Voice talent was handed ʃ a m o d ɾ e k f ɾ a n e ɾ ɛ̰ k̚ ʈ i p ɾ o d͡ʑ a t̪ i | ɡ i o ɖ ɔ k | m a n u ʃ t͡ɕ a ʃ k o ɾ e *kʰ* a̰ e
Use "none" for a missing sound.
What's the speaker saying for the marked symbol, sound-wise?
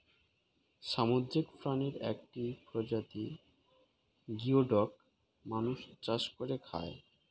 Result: kʰ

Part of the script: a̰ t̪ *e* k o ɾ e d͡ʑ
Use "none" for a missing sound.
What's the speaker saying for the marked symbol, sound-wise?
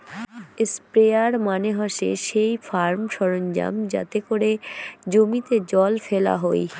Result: e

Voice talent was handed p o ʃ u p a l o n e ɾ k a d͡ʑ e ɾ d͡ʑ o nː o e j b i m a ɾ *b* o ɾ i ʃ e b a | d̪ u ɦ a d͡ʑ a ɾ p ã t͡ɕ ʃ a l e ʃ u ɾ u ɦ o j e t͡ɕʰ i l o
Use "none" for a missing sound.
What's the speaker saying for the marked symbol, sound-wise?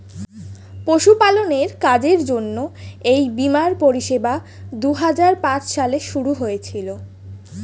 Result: p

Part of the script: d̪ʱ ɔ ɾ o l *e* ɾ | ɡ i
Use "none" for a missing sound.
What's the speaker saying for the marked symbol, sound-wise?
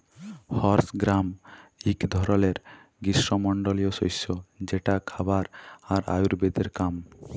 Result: e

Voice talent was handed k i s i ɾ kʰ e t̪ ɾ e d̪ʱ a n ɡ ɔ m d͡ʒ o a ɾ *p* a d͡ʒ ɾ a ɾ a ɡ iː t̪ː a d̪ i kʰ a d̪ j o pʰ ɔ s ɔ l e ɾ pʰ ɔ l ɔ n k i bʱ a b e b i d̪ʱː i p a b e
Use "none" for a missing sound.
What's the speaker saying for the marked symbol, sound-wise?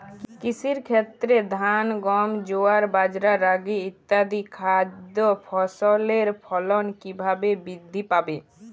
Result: b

